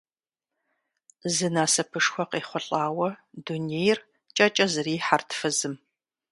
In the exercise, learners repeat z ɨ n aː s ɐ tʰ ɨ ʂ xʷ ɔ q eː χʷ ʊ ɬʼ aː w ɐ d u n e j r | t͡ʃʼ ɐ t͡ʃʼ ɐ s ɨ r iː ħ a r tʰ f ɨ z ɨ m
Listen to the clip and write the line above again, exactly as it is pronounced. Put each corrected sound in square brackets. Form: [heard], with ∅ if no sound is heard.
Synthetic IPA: z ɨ n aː s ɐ [pʰ] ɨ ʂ xʷ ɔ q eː χʷ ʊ ɬʼ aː w ɐ d u n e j r | t͡ʃʼ ɐ t͡ʃʼ ɐ [z] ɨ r iː ħ a r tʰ f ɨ z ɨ m